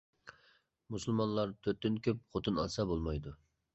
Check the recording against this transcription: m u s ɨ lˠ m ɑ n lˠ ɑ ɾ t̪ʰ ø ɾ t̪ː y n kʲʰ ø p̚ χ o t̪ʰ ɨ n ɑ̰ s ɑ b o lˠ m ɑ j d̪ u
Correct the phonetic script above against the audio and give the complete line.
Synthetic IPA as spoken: m u s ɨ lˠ m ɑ n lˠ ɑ ɾ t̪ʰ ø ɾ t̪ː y n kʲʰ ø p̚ χ o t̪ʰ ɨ n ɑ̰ s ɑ b o lˠ m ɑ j d̪ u